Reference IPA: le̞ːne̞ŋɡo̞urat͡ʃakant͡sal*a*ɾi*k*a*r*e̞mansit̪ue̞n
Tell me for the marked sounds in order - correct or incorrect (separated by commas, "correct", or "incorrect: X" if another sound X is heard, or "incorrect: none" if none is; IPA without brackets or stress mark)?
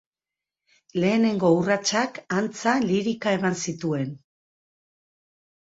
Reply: incorrect: i, correct, incorrect: none